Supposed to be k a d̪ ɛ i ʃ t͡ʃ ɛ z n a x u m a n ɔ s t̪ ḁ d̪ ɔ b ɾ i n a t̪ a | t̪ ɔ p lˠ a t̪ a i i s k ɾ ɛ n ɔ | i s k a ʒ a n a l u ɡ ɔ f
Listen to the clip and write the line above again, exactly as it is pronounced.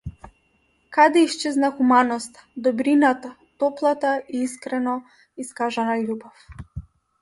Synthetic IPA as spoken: k a d̪ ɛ i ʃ t͡ʃ ɛ z n a x u m a n ɔ s t̪ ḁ d̪ ɔ b ɾ i n a t̪ a | t̪ ɔ p lˠ a t̪ a i i s k ɾ ɛ n ɔ | i s k a ʒ a n a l u b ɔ f

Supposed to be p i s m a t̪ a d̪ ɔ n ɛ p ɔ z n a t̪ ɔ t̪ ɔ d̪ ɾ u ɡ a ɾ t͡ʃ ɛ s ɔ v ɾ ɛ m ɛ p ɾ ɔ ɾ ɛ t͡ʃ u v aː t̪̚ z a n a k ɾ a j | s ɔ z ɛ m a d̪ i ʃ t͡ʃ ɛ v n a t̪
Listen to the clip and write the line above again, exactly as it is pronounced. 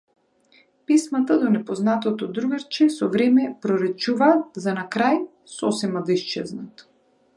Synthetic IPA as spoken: p i s m a t̪ a d̪ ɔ n ɛ p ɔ z n a t̪ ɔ t̪ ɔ d̪ ɾ u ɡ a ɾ t͡ʃ ɛ s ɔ v ɾ ɛ m ɛ p ɾ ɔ ɾ ɛ t͡ʃ u v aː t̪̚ z a n a k ɾ a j | s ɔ s ɛ m a d̪ i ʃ t͡ʃ ɛ z n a t̪

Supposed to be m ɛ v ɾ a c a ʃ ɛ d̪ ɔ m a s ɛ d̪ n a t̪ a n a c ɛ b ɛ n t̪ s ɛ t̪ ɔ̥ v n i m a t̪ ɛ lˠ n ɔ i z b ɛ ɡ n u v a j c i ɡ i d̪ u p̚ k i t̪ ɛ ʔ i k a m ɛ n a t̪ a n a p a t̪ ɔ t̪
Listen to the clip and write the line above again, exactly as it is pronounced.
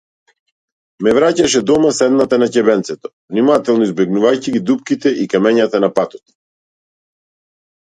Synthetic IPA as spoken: m ɛ v ɾ a c a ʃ ɛ d̪ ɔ m a s ɛ d̪ n a t̪ a n a c ɛ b ɛ n t̪ s ɛ t̪ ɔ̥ v n i m a t̪ ɛ lˠ n ɔ i z b ɛ ɡ n u v a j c i ɡ i d̪ u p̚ k i t̪ ɛ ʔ i k a m ɛ ɲ a t̪ a n a p a t̪ ɔ t̪

